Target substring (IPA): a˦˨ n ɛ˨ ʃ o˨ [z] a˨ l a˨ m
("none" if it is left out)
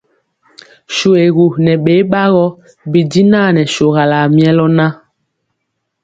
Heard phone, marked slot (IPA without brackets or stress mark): ɣ